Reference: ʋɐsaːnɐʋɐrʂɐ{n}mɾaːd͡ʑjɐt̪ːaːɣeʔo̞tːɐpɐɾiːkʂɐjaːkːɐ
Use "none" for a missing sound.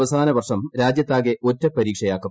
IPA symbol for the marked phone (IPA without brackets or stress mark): none